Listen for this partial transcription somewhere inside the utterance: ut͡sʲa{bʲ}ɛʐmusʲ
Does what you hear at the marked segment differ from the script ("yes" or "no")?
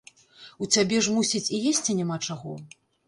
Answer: no